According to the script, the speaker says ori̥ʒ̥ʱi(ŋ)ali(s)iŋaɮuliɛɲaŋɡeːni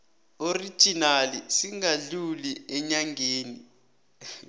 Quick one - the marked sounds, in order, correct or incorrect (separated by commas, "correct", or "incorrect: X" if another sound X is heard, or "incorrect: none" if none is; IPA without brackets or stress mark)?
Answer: incorrect: n, correct